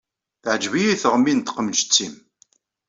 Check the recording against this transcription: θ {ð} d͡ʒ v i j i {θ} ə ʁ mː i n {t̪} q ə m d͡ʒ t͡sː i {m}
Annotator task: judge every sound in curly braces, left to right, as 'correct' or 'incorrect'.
incorrect: ʕ, correct, correct, correct

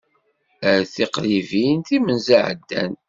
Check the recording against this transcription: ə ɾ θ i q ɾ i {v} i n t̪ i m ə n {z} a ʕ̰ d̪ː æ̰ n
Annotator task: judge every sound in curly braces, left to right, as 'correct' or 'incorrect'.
correct, correct

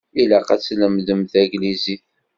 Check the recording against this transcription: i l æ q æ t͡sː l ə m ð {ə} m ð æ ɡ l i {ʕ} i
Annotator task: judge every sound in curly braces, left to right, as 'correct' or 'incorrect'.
correct, incorrect: z

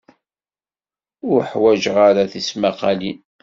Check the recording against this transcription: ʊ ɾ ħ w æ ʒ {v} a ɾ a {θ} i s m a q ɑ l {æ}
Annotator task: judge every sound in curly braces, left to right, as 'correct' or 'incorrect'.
incorrect: ʁ, correct, incorrect: i

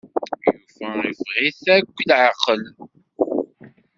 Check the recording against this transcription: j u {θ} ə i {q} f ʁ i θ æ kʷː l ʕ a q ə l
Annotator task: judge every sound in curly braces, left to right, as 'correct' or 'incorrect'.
incorrect: f, incorrect: none

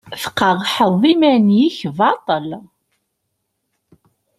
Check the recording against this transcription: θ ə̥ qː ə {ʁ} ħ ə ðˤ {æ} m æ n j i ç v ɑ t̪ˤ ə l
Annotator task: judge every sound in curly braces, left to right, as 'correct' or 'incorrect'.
correct, incorrect: i

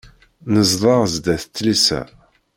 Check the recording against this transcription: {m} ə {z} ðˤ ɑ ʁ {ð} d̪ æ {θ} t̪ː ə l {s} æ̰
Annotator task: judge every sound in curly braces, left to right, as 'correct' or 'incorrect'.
incorrect: n, correct, incorrect: z, correct, correct

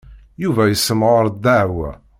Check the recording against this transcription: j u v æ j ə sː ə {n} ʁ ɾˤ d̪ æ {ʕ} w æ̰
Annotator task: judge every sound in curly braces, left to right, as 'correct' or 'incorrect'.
incorrect: m, correct

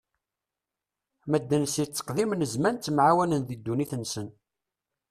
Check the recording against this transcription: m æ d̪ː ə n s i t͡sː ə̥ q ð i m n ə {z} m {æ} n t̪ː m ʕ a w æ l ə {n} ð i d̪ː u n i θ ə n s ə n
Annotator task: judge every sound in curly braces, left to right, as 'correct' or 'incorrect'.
correct, correct, correct

